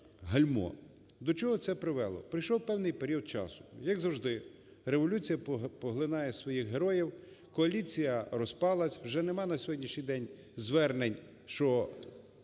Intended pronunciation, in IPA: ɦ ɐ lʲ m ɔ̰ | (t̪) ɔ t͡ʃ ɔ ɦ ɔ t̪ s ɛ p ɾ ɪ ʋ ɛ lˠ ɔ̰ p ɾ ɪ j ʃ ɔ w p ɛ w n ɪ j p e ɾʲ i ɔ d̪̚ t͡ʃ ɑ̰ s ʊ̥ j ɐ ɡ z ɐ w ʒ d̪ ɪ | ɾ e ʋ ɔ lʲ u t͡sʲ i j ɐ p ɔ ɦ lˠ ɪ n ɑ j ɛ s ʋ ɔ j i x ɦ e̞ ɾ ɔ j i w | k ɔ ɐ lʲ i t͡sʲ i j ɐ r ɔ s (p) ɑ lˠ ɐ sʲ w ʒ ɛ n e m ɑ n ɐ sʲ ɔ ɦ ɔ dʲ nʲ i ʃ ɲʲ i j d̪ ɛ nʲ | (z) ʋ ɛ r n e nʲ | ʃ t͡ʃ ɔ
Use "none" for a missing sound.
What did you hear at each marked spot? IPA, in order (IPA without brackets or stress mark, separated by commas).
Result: d̪, p, z